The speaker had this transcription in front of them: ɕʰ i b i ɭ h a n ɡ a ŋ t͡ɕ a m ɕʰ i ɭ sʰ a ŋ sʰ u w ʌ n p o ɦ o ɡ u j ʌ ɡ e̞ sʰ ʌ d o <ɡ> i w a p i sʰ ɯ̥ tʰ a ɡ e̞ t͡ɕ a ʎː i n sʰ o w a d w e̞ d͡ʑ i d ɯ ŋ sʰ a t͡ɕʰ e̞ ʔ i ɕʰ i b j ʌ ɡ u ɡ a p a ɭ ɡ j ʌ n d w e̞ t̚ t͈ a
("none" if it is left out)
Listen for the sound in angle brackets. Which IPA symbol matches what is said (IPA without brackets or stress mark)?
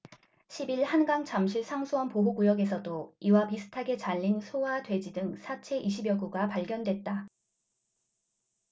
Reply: none